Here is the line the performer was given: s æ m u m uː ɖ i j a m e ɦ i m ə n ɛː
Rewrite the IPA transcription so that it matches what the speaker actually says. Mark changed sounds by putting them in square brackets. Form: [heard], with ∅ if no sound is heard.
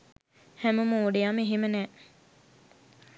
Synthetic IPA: [h] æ m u m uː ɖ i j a m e ɦ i m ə n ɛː